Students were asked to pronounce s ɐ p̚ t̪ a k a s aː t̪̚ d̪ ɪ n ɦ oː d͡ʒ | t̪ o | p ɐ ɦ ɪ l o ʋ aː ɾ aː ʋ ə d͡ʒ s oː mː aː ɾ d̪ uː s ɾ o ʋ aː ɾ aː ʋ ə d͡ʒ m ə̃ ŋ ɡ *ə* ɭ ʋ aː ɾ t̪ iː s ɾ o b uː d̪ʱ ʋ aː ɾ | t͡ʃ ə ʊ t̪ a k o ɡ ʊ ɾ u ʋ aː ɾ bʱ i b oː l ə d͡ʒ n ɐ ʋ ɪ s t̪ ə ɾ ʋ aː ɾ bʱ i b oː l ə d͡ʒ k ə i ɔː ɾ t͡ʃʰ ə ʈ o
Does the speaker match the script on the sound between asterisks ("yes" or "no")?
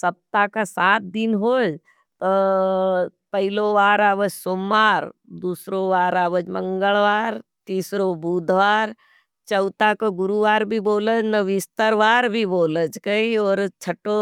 yes